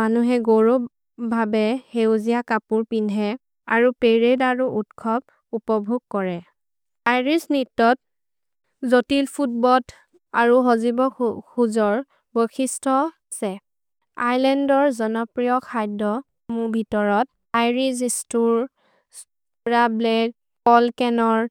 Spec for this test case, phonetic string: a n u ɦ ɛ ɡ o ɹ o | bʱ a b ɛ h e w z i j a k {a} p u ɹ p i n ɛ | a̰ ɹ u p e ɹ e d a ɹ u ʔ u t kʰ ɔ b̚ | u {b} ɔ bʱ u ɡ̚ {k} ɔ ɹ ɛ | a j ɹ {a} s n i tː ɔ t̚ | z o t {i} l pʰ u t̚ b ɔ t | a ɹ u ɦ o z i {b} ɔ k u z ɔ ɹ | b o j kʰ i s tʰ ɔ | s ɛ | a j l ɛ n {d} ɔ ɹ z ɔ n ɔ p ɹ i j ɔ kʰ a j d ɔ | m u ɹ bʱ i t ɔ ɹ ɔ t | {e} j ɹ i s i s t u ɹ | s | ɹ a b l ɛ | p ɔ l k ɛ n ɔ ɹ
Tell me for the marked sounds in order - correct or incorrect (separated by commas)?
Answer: correct, incorrect, correct, incorrect, correct, correct, correct, incorrect